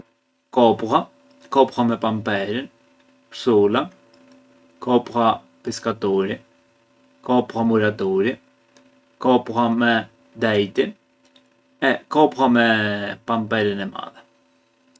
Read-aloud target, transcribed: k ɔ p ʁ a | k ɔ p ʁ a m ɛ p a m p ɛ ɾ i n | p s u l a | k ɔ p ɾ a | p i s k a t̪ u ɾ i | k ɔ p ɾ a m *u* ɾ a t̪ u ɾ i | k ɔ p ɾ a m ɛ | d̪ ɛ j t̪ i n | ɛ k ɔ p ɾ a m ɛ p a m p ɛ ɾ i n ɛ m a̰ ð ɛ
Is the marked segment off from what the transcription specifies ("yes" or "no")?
no